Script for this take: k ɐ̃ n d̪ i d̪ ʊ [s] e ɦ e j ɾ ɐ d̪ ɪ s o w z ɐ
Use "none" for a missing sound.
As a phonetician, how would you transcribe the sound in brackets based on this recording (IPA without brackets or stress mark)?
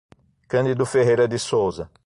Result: f